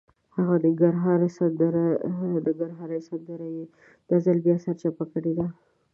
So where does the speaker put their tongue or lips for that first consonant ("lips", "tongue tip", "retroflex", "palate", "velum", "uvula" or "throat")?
throat